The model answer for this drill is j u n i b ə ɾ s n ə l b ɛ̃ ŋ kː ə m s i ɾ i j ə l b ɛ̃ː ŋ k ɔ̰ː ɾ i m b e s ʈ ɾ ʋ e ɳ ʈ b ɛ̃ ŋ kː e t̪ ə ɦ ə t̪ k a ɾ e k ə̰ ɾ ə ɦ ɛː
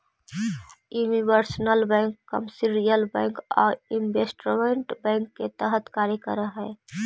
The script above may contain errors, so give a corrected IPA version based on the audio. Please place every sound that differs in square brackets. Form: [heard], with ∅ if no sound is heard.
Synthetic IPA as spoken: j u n i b ə ɾ s n ə l b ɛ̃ ŋ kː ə m s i ɾ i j ə l b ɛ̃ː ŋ k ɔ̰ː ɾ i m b e s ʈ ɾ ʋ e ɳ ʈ b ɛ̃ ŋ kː e t̪ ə ɦ ə t̪ k a ɾ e k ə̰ ɾ ə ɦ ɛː